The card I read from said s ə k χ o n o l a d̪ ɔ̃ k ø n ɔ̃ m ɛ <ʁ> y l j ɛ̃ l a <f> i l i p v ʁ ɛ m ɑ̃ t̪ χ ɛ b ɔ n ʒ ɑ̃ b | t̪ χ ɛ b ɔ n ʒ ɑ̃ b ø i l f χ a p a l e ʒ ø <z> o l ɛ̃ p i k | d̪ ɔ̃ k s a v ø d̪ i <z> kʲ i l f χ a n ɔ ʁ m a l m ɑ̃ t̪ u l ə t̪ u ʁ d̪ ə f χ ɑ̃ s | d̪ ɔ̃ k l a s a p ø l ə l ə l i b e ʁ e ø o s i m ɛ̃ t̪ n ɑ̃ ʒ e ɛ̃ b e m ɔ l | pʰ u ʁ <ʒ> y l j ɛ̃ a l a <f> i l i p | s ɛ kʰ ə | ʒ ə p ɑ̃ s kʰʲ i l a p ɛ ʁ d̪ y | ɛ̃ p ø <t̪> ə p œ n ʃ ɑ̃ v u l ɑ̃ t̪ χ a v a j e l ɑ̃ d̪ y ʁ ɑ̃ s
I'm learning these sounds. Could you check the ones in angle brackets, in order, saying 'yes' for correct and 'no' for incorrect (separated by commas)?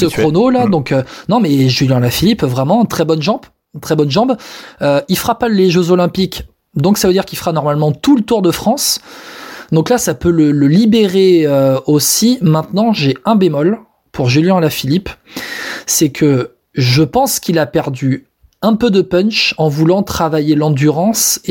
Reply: no, yes, yes, no, yes, yes, no